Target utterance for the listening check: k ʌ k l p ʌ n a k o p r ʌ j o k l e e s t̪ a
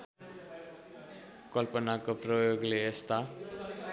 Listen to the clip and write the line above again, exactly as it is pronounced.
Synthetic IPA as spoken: k ʌ l p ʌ n a k o p r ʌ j o ɡ l e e s t̪ a